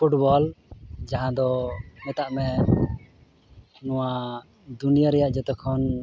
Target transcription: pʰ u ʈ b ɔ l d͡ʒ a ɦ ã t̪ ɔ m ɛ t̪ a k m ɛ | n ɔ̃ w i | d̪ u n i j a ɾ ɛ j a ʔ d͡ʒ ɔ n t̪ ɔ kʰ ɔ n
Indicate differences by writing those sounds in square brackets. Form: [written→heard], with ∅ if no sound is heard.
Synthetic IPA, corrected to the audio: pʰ u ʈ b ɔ l d͡ʒ a ɦ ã [t̪→d̪] ɔ m ɛ t̪ a [k→ʔ] m ɛ | n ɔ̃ w [i→a] | d̪ u n i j a ɾ ɛ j a ʔ d͡ʒ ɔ [n→∅] t̪ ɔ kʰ ɔ n